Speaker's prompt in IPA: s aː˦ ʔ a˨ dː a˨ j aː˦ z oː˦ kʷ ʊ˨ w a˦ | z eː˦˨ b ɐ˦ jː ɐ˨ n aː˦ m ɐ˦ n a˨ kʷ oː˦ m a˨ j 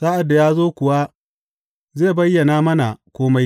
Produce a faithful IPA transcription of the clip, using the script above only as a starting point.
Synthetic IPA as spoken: s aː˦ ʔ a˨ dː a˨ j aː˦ z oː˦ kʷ ʊ˨ w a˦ | z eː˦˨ b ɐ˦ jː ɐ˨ n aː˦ m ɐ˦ n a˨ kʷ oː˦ m a˦ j